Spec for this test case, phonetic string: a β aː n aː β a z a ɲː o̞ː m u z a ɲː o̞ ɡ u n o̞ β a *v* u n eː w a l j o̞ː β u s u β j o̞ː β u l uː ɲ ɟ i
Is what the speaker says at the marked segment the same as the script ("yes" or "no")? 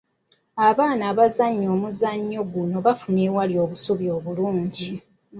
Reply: no